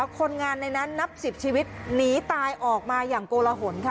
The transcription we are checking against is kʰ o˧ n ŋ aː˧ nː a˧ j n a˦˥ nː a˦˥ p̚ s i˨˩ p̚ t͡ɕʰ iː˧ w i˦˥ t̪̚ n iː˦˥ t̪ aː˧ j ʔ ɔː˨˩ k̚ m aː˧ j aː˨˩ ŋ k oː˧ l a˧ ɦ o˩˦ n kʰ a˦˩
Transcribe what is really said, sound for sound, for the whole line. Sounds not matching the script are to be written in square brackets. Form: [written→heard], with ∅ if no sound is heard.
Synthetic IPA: kʰ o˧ n ŋ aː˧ nː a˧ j n a˦˥ nː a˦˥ p̚ s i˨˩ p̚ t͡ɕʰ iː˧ w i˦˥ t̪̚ n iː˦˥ t̪ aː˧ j ʔ ɔː˨˩ k̚ m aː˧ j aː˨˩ ŋ k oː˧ l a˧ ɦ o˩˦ n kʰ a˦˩